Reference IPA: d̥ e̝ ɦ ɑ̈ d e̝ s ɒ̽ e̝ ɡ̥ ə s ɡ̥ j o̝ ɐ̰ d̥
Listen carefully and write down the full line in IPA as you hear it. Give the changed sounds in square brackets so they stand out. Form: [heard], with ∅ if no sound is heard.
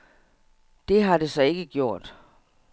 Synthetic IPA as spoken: d̥ e̝ ɦ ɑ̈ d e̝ s ɒ̽ e̝ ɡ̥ ə [∅] ɡ̥ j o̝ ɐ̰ d̥